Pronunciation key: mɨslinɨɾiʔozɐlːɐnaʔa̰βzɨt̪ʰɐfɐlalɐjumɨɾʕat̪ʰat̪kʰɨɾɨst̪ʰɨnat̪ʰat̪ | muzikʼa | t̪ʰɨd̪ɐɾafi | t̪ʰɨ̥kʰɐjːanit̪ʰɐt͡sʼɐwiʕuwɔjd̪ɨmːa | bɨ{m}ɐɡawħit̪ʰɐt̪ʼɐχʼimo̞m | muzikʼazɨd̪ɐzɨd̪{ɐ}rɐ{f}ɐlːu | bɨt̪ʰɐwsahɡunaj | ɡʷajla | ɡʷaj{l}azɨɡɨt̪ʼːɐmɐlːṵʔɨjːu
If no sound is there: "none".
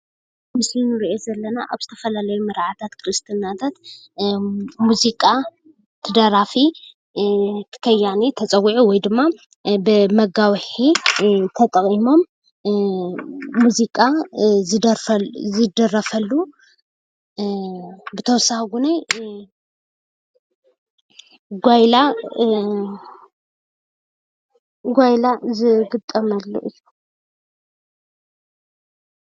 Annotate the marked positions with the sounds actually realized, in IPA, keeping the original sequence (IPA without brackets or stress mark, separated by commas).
m, ɐ, f, l